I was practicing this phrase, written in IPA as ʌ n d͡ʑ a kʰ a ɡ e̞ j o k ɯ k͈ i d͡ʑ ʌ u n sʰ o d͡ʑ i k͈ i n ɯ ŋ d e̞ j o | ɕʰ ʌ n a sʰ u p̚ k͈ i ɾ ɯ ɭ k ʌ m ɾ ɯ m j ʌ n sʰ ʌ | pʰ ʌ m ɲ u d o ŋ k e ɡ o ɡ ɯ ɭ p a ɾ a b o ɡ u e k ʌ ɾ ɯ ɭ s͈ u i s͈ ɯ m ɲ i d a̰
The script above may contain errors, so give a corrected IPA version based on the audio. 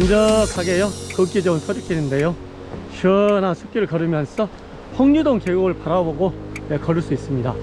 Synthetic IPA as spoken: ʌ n d͡ʑ ʌ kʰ a ɡ e̞ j o k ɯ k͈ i d͡ʑ ʌ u n sʰ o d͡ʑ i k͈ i n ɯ n d e̞ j o | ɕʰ ʌ n a sʰ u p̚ k͈ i ɾ ɯ ɭ k ʌ ɾ ɯ m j ʌ n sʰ ʌ | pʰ ʌ ŋ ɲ u d o ŋ k e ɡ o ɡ ɯ ɭ p a ɾ a b o ɡ o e k ʌ ɾ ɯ ɭ s͈ u i s͈ ɯ m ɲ i d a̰

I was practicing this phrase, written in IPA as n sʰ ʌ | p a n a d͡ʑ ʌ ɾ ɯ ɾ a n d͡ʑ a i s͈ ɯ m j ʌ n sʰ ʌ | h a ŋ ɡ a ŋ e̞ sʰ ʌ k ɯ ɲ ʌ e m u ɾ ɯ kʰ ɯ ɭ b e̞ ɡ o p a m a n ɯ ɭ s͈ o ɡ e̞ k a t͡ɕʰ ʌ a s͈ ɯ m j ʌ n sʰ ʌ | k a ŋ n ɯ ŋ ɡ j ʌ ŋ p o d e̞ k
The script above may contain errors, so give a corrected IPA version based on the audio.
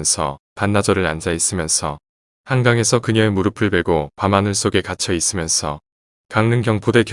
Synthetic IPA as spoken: n sʰ ʌ | p a nː a d͡ʑ ʌ ɾ ɯ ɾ a n d͡ʑ a i s͈ ɯ m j ʌ n sʰ ʌ | h a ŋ ɡ a ŋ e̞ sʰ ʌ k ɯ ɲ ʌ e m u ɾ ɯ pʰ ɯ ɭ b e̞ ɡ o p a m a n ɯ ɭ s͈ o ɡ e̞ k a t͡ɕʰ ʌ i s͈ ɯ m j ʌ n sʰ ʌ | k a ŋ n ɯ ŋ ɡ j ʌ ŋ p o d e̞ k

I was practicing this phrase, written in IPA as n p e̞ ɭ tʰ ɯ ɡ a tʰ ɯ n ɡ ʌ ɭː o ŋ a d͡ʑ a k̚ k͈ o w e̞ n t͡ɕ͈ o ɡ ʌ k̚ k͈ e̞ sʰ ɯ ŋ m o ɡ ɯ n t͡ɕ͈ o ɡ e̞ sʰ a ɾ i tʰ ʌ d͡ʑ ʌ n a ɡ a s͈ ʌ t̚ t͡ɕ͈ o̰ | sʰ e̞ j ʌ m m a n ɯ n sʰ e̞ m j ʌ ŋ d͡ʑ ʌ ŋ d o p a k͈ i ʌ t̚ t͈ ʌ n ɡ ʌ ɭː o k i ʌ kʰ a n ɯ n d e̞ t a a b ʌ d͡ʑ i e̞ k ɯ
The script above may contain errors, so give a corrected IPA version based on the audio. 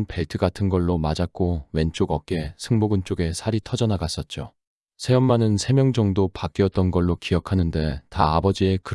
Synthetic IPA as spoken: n p e̞ ɭ tʰ ɯ ɡ a tʰ ɯ n ɡ ʌ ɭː o m a d͡ʑ a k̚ k͈ o w e̞ n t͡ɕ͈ o ɡ ʌ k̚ k͈ e̞ sʰ ɯ ŋ m o ɡ ɯ n t͡ɕ͈ o ɡ e̞ sʰ a ɾ i tʰ ʌ d͡ʑ ʌ n a ɡ a s͈ ʌ t̚ t͡ɕ͈ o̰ | sʰ e̞ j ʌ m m a n ɯ n sʰ e̞ m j ʌ ŋ d͡ʑ ʌ ŋ d o p a k͈ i ʌ t̚ t͈ ʌ n ɡ ʌ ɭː o k i ʌ kʰ a n ɯ n d e̞ t a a b ʌ d͡ʑ i e̞ k ɯ

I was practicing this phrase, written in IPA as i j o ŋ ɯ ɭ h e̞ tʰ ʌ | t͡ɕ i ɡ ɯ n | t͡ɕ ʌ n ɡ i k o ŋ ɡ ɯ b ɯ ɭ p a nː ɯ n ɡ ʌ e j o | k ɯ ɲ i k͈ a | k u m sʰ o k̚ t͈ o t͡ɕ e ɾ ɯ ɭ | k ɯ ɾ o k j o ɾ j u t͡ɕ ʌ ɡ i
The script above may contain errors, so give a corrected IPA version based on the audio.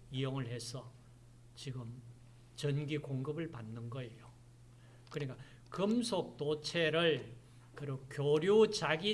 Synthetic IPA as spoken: i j o ŋ ɯ ɭ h e̞ sʰ ʌ | t͡ɕ i ɡ ɯ m | t͡ɕ ʌ n ɡ i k o ŋ ɡ ɯ b ɯ ɭ p a nː ɯ n ɡ ʌ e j o | k ɯ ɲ i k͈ a | k ɯ m sʰ o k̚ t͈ o t͡ɕʰ e ɾ ɯ ɭ | k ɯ ɾ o k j o ɾ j u t͡ɕ a ɡ i

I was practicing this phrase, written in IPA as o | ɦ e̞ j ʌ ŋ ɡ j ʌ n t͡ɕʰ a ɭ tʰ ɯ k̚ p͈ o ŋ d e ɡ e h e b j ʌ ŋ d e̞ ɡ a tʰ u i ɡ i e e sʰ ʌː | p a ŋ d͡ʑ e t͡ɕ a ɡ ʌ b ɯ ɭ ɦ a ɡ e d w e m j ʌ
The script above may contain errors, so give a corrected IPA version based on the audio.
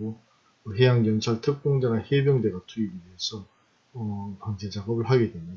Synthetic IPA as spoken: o | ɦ e̞ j a ŋ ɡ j ʌ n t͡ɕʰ a ɭ tʰ ɯ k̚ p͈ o ŋ d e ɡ a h e b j ʌ ŋ d e̞ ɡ a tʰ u i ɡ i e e sʰ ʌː | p a ŋ d͡ʑ e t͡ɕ a ɡ ʌ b ɯ ɭ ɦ a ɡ e d w e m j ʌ

